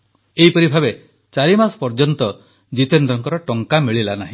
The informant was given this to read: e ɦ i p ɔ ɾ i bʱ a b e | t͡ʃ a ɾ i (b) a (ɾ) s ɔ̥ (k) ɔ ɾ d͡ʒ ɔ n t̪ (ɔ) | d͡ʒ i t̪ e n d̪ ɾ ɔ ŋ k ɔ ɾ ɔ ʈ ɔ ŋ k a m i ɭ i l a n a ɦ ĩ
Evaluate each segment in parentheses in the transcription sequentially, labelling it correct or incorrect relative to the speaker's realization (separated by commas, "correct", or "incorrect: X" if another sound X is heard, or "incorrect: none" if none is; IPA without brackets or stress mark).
incorrect: m, incorrect: none, incorrect: p, correct